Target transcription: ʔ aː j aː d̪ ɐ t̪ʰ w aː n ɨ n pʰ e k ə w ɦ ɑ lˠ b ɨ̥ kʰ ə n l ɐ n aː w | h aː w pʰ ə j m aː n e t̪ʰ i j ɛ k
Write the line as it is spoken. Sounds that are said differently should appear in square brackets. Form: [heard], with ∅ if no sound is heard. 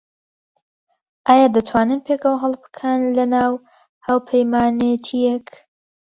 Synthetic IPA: ʔ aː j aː d̪ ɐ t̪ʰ w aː n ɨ n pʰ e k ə w ɦ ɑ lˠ b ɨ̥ kʰ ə n l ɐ n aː w | h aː w pʰ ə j m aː n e t̪ʰ i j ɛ k